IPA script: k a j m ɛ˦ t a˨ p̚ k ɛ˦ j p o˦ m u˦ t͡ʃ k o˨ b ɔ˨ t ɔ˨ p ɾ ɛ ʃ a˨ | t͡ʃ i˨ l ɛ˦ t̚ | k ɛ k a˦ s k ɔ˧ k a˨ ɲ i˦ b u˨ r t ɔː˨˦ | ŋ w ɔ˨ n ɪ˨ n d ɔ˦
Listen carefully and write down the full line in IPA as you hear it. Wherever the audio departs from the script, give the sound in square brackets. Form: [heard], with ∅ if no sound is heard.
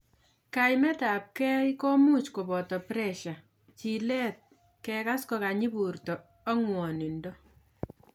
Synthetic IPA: k a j m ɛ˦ t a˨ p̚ k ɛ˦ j [k] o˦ m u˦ t͡ʃ k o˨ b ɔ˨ t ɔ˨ p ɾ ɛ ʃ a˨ | t͡ʃ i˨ l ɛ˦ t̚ | k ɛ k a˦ s k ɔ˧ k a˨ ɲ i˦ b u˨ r t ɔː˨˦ | ŋ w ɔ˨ n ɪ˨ n d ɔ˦